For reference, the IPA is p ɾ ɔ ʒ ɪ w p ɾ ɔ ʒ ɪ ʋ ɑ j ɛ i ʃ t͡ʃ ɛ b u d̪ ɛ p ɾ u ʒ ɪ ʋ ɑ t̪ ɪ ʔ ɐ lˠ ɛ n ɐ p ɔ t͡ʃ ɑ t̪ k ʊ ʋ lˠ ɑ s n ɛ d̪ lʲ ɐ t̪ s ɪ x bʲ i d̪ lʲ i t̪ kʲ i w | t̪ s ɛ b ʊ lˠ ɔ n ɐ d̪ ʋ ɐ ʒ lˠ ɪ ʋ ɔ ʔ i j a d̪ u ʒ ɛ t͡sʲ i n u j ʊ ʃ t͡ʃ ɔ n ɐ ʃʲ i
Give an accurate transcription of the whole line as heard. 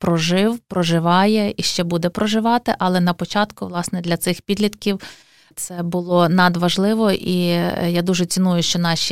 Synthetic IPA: p ɾ ɔ ʒ ɪ w p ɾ ɔ ʒ ɪ ʋ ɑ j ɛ i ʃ t͡ʃ ɛ b u d̪ ɛ p ɾ ɔ ʒ ɪ ʋ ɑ t̪ ɪ ʔ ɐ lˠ ɛ n ɐ p ɔ t͡ʃ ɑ t̪ k ʊ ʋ lˠ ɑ s n ɛ d̪ lʲ ɐ t̪ s ɪ x pʲ i d̪ lʲ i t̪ kʲ i w | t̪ s ɛ b ʊ lˠ ɔ n ɐ d̪ ʋ ɐ ʒ lˠ ɪ ʋ ɔ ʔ i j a d̪ u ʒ ɛ t͡sʲ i n u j ʊ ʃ t͡ʃ ɔ n ɑ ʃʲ i